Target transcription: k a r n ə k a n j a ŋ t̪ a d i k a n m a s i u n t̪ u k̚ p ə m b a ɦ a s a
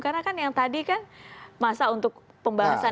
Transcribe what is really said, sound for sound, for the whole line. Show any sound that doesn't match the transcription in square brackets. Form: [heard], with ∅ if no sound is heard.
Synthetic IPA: k a r n [a] k a n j a ŋ t̪ a d i k a n m a s [a] u n t̪ [ʊ] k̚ p ə m b a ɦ a s a